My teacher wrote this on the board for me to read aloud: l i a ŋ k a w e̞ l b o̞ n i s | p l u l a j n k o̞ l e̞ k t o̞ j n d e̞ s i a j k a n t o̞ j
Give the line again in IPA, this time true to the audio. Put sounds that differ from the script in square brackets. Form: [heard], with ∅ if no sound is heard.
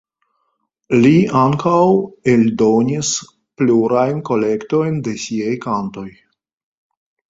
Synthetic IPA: l i a ŋ k a w e̞ l [d] o̞ n i s | p l u [ɾ] a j n k o̞ l e̞ k t o̞ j n d e̞ s i a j k a n t o̞ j

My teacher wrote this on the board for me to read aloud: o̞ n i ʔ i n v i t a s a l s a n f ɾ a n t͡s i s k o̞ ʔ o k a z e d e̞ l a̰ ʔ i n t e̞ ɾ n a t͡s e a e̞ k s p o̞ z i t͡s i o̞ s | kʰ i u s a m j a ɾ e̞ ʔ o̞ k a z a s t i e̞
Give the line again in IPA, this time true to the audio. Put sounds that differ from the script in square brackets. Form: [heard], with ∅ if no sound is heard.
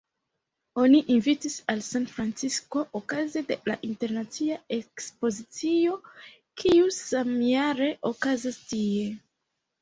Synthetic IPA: o̞ n i ʔ i n v i t [i] s a l s a n f ɾ a n t͡s i s k o̞ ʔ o k a z e d e̞ l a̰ ʔ i n t e̞ ɾ n a t͡s [i] a e̞ k s p o̞ z i t͡s i o̞ [∅] | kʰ i u s a m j a ɾ e̞ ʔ o̞ k a z a s t i e̞

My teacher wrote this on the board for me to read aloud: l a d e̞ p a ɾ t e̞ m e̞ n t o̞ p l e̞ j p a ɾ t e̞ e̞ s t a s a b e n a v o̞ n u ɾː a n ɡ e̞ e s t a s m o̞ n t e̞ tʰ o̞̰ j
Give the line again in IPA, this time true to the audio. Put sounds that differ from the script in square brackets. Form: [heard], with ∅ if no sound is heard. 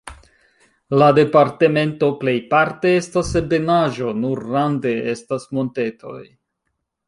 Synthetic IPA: l a d e̞ p a ɾ t e̞ m e̞ n t o̞ p l e̞ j p a ɾ t e̞ e̞ s t a s [e] b e n a [ʒ] o̞ n u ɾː a n [d] e̞ e s t a s m o̞ n t e̞ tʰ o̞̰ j

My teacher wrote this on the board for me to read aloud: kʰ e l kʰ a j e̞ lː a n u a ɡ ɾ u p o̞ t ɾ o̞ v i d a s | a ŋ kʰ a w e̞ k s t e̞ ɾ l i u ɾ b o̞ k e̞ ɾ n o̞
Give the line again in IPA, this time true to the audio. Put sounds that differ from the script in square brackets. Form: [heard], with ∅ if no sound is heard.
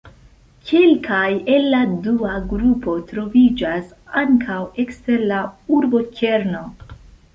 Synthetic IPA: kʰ e l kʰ a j e̞ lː a [d] u a ɡ ɾ u p o̞ t ɾ o̞ v i [d͡ʒ] a s | a ŋ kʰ a w e̞ k s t e̞ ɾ l [a] u ɾ b o̞ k e̞ ɾ n o̞

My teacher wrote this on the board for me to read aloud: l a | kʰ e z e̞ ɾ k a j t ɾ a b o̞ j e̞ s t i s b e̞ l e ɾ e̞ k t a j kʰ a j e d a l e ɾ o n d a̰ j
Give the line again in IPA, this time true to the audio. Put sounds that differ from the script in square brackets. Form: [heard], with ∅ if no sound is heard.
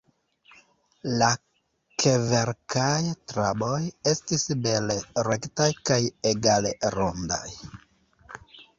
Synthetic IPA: l a | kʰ e [v] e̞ ɾ k a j t ɾ a b o̞ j e̞ s t i s b e̞ l e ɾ e̞ k t a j [k] a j e [ɡ] a l e ɾ o n d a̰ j

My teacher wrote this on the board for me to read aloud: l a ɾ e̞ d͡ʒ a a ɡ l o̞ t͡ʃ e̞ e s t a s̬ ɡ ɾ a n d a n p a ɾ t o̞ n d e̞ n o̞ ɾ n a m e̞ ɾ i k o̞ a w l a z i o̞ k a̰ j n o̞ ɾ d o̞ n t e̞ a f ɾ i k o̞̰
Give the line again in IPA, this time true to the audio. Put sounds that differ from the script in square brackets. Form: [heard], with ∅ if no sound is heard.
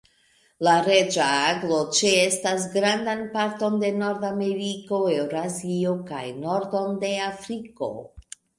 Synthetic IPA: l a ɾ e̞ d͡ʒ a a ɡ l o̞ t͡ʃ e̞ e s t a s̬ ɡ ɾ a n d a n p a ɾ t o̞ n d e̞ n o̞ ɾ [d] a m e̞ ɾ i k o̞ [e] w [ɾ] a z i o̞ k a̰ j n o̞ ɾ d o̞ n [d] e̞ a f ɾ i k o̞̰

